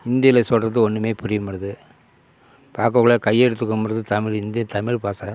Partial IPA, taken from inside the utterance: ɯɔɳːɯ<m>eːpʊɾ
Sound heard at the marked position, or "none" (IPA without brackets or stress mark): m